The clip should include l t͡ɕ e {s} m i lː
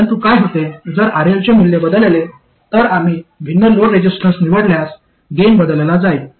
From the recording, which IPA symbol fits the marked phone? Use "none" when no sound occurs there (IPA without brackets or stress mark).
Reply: none